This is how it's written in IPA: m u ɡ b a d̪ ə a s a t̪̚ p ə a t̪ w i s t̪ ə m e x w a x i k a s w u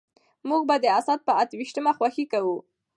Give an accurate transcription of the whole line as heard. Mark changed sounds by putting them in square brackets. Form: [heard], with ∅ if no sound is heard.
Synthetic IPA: m u ɡ b a d̪ ə a s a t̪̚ p ə a t̪ w i [ʃ] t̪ ə m [a] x w a x i k a [∅] w u